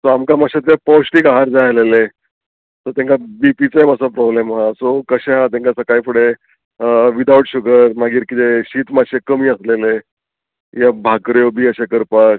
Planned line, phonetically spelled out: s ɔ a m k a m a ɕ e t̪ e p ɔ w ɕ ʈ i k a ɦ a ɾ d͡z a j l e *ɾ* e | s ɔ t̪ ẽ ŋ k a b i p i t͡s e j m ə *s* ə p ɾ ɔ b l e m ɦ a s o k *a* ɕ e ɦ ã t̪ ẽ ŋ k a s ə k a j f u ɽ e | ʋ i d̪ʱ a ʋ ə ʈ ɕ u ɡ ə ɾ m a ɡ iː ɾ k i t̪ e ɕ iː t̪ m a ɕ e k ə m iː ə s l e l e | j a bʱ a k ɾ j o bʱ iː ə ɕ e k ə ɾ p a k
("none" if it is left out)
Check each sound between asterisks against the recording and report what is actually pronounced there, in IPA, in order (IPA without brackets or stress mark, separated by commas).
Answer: l, s, ə